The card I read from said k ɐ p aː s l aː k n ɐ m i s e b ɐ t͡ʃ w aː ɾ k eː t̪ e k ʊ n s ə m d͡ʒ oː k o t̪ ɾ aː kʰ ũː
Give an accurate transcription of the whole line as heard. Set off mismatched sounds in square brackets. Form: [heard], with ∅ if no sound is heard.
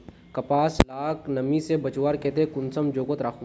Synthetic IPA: k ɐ p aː s l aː k n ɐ m i s e b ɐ t͡ʃ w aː ɾ k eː t̪ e k ʊ n s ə m d͡ʒ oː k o t̪ ɾ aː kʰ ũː